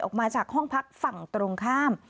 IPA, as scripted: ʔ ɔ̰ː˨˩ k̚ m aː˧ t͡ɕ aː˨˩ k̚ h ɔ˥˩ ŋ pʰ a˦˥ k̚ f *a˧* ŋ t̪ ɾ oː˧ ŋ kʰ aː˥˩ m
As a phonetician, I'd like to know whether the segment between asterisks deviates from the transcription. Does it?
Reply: yes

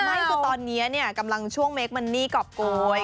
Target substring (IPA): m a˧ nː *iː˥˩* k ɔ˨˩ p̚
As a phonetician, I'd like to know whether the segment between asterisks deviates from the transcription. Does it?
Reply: no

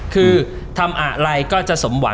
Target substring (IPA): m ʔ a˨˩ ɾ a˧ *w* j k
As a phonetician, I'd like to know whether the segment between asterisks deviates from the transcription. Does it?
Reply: yes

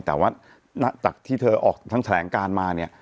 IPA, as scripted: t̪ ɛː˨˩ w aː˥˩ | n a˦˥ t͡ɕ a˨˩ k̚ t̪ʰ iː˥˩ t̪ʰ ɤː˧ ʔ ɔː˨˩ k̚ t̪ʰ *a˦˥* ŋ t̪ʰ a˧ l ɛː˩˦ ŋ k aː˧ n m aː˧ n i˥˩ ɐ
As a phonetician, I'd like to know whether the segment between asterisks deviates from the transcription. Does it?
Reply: no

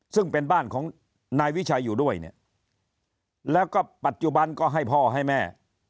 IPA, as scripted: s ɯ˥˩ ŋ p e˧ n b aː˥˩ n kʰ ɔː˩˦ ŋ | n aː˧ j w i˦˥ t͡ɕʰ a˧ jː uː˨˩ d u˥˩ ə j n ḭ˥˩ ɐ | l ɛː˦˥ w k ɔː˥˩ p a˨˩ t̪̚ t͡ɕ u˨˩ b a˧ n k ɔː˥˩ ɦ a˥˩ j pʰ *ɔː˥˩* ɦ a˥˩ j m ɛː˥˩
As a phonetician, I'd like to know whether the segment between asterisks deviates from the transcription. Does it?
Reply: no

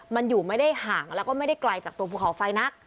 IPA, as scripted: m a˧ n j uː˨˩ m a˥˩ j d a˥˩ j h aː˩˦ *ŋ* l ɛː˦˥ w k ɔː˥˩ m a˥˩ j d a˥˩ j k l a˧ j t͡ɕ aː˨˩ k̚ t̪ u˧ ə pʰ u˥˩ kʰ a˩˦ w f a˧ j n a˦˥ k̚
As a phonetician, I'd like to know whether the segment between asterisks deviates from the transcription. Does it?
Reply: no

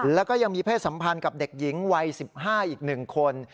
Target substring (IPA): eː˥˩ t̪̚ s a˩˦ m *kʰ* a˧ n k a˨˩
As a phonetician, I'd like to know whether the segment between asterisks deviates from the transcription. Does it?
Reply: yes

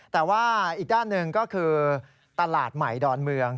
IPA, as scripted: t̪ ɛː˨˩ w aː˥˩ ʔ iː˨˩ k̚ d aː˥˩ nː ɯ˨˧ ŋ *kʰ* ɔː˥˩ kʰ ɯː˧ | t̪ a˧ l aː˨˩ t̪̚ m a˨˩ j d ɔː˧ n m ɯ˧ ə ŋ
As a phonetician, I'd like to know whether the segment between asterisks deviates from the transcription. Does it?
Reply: yes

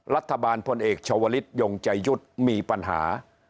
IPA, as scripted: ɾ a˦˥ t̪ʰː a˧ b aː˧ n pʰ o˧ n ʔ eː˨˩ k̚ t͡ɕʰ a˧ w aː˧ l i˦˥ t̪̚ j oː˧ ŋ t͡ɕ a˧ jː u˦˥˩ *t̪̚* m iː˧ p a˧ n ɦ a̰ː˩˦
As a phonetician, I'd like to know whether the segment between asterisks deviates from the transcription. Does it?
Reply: no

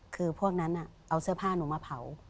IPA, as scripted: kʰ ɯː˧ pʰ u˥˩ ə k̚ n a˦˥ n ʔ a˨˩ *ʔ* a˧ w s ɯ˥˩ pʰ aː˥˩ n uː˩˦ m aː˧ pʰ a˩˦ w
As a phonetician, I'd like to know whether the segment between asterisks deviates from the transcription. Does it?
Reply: no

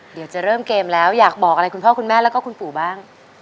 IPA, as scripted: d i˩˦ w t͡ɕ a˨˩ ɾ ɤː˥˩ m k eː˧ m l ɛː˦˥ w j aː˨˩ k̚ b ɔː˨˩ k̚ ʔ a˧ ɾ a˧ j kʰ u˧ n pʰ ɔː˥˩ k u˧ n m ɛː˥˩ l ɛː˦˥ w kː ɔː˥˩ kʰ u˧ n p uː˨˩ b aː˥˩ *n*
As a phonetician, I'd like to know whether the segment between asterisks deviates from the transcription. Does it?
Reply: yes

